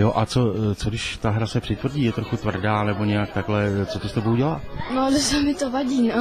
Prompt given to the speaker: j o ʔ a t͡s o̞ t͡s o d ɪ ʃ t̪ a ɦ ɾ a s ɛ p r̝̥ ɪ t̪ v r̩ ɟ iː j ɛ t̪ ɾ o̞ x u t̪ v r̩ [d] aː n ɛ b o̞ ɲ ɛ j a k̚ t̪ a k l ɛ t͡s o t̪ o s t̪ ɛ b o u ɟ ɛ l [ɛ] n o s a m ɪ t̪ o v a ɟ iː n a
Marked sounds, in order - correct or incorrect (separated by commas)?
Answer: correct, incorrect